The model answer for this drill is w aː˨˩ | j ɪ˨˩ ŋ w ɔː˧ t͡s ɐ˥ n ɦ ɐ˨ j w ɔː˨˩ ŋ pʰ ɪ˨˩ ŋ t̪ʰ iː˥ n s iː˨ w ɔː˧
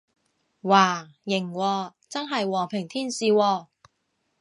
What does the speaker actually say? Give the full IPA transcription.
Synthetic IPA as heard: w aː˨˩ | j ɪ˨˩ ŋ w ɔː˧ t͡s ɐ˥ n ɦ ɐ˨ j w ɔː˨˩ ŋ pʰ ɪ˨˩ ŋ t̪ʰ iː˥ n s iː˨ w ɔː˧